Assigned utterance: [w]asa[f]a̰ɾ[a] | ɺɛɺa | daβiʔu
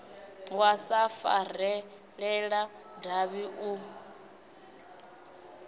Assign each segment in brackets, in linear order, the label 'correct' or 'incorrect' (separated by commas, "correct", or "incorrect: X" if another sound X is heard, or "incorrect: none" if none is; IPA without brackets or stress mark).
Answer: correct, correct, incorrect: ɛ